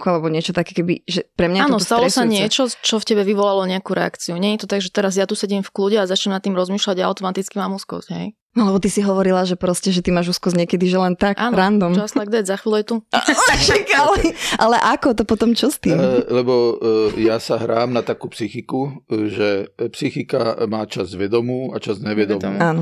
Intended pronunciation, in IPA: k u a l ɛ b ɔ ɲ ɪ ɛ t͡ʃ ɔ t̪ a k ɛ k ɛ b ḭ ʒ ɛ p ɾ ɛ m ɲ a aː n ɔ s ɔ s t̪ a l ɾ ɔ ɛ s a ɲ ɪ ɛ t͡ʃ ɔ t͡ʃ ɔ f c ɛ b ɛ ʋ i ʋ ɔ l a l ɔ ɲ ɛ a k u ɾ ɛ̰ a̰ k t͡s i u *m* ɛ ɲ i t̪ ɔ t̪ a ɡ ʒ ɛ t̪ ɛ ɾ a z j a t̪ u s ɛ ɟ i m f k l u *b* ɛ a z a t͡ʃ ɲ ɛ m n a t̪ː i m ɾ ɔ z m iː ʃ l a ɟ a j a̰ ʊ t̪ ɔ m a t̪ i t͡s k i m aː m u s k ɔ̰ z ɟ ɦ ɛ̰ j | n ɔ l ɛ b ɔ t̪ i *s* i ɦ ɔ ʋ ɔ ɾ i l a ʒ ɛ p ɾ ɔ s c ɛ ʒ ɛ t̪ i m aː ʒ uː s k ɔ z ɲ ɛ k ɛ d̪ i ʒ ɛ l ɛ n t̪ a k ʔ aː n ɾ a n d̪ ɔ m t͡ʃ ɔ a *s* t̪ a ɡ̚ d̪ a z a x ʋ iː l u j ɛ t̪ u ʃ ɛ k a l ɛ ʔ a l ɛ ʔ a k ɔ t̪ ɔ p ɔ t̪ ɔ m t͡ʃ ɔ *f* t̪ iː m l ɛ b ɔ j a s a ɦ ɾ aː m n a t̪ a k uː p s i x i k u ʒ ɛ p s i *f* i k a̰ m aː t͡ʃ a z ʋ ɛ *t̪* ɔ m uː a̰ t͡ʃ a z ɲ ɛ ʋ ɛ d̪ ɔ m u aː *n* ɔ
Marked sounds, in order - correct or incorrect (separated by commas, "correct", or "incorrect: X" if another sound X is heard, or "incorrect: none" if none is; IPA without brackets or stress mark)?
incorrect: ɲ, incorrect: ɟ, correct, correct, incorrect: s, incorrect: x, incorrect: d̪, correct